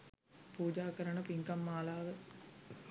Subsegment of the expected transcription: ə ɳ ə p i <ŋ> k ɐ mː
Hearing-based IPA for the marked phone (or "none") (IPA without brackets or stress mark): ŋ